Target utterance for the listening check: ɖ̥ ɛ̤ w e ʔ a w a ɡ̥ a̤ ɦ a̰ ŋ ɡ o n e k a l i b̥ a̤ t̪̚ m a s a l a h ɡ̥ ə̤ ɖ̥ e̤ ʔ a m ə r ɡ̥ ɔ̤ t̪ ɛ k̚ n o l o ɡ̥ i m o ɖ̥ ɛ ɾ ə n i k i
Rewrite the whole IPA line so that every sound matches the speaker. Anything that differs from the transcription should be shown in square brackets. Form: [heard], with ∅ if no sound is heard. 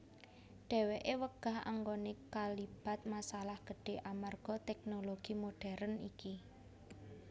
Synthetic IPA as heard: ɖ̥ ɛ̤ w e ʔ [e] w [ə] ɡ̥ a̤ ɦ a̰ ŋ ɡ o n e k a l i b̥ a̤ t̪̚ m a s a l a h ɡ̥ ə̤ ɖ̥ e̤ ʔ a m [a] r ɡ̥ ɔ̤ t̪ ɛ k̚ n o l o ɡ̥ i m o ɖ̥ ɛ ɾ ə n i k i